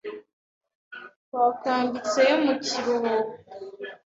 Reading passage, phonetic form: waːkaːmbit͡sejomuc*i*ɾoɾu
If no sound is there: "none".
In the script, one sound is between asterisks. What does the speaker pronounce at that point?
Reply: i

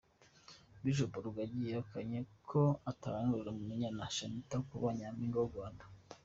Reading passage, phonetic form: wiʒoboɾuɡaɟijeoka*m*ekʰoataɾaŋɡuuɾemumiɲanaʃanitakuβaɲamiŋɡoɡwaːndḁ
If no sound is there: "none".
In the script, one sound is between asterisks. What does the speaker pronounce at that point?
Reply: ɲ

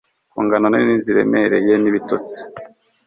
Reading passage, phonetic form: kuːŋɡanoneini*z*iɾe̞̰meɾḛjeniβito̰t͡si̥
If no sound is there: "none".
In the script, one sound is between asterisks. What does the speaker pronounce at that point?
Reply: z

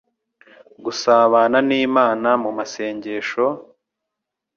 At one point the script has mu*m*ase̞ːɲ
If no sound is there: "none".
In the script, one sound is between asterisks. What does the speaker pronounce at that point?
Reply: m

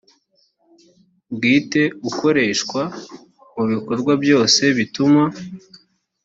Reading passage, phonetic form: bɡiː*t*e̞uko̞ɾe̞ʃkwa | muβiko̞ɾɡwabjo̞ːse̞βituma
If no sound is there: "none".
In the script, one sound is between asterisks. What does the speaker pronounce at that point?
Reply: t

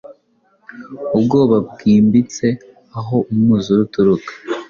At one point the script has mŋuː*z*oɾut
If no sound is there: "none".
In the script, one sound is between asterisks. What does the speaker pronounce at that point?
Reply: z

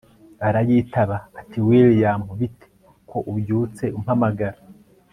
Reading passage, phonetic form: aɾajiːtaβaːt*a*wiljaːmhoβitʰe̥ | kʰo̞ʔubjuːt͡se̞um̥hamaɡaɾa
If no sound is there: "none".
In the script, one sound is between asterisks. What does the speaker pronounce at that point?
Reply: i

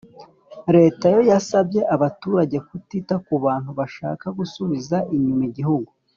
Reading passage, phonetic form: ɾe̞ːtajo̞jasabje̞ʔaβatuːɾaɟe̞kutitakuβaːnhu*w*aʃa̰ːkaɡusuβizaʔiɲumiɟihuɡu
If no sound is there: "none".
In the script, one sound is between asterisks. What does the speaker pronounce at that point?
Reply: β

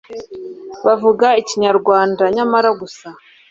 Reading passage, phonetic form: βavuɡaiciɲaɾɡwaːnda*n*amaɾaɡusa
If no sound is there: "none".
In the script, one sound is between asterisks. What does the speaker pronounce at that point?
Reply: ɲ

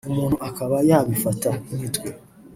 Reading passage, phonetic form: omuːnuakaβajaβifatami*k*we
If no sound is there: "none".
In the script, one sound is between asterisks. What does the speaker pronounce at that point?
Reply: t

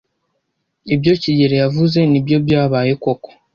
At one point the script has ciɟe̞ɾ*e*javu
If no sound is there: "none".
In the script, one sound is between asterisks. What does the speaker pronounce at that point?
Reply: e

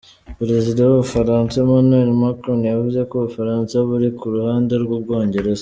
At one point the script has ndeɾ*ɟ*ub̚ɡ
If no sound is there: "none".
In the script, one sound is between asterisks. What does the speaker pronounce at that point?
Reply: ɡ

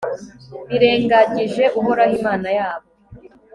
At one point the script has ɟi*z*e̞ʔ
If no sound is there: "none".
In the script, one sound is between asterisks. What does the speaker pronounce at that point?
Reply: ʒ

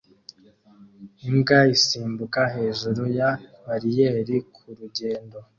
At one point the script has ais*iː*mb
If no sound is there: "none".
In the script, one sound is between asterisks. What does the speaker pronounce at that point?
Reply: iː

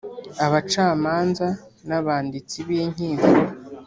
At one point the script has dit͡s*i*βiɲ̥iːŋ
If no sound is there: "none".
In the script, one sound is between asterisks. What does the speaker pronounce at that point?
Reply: i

